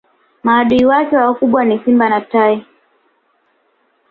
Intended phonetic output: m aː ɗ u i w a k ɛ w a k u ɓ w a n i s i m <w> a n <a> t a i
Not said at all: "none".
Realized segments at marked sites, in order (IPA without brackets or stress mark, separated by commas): b, a